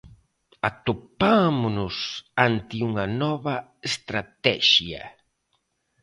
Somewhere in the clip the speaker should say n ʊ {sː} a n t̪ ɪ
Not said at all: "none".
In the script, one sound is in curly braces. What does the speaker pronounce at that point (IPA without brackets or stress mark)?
s